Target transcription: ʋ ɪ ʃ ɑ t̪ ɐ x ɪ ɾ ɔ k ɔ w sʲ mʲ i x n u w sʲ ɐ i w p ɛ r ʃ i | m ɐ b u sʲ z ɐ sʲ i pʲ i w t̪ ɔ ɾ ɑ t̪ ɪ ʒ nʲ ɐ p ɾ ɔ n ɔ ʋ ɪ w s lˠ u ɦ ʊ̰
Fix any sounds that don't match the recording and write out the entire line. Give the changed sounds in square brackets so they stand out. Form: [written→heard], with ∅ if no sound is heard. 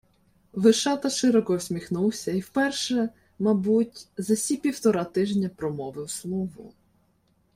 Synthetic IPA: ʋ ɪ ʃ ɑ t̪ ɐ [x→ʃ] ɪ ɾ ɔ k ɔ w sʲ mʲ i x n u w sʲ ɐ i w p ɛ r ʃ [i→ɛ] | m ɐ b u [sʲ→tʲ] z ɐ sʲ i pʲ i w t̪ ɔ ɾ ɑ t̪ ɪ ʒ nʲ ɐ p ɾ ɔ [n→m] ɔ ʋ ɪ w s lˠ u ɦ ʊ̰

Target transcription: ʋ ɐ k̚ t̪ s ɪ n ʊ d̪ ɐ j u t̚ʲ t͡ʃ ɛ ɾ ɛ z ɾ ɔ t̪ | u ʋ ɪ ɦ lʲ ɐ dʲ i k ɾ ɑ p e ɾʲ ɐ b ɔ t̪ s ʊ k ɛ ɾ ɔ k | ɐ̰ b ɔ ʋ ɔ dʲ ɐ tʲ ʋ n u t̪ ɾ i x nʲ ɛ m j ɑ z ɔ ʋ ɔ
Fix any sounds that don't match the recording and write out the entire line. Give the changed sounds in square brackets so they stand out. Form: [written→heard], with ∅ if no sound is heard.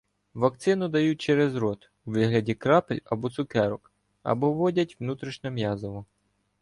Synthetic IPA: ʋ ɐ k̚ t̪ s ɪ n ʊ d̪ ɐ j u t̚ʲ t͡ʃ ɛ ɾ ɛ z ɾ ɔ t̪ | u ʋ ɪ ɦ lʲ ɐ dʲ i k ɾ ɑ p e [ɾʲ→lʲ] ɐ b ɔ t̪ s ʊ k ɛ ɾ ɔ k | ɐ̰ b ɔ ʋ ɔ dʲ ɐ tʲ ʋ n u t̪ ɾ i [x→ʃ] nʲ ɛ m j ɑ z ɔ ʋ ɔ

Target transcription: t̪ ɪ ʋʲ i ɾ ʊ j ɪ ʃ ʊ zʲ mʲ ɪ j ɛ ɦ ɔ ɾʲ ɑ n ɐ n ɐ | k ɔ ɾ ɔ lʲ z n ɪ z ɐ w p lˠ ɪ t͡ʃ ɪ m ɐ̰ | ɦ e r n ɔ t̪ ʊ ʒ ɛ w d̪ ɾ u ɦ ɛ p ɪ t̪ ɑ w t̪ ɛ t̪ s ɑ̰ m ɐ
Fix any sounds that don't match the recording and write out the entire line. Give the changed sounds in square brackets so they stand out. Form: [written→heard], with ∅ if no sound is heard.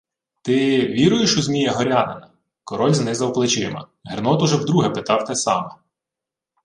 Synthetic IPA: t̪ ɪ ʋʲ i ɾ ʊ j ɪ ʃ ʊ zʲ mʲ [ɪ→i] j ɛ ɦ ɔ ɾʲ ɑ n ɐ n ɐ | k ɔ ɾ ɔ lʲ z n ɪ z ɐ w p lˠ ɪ t͡ʃ ɪ m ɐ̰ | ɦ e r n ɔ t̪ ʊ ʒ ɛ w d̪ ɾ u ɦ ɛ p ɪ t̪ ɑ w t̪ ɛ [t̪→∅] s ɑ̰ m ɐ

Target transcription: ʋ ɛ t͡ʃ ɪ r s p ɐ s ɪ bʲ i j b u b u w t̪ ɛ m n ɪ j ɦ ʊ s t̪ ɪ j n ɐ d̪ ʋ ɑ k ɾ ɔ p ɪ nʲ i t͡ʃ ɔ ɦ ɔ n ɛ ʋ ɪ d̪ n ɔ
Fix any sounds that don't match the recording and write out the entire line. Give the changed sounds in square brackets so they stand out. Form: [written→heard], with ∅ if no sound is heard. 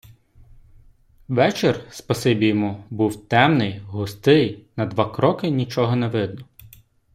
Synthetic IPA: ʋ ɛ t͡ʃ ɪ r s p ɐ s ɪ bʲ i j [b→m] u b u w t̪ ɛ m n ɪ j ɦ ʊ s t̪ ɪ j n ɐ d̪ ʋ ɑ k ɾ ɔ [p→k] ɪ nʲ i t͡ʃ ɔ ɦ ɔ n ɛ ʋ ɪ d̪ n ɔ

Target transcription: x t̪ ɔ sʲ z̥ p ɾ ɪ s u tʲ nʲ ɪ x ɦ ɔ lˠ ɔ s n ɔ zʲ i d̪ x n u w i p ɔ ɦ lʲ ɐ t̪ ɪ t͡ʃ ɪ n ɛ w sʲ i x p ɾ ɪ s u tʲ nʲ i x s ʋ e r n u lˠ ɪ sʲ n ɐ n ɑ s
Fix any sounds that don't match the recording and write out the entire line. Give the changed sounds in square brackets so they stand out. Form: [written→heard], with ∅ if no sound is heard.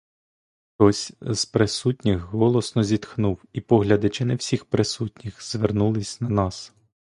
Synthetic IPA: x t̪ ɔ sʲ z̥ p ɾ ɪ s u tʲ nʲ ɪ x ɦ ɔ lˠ ɔ s n ɔ zʲ i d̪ x n u w i p ɔ ɦ lʲ ɐ [t̪→d̪] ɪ t͡ʃ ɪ n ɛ w sʲ i x p ɾ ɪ s u tʲ nʲ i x [s→z] ʋ e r n u lˠ ɪ sʲ n ɐ n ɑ s

